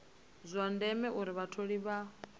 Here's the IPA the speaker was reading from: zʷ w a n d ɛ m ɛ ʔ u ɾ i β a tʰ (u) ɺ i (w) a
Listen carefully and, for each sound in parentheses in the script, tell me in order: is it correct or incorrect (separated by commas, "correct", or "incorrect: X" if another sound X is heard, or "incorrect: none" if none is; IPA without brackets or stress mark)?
incorrect: o, incorrect: β